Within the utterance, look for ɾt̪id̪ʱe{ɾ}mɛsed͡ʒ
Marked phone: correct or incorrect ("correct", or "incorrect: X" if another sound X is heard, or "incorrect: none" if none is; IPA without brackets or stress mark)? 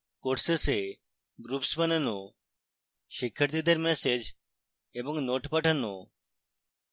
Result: correct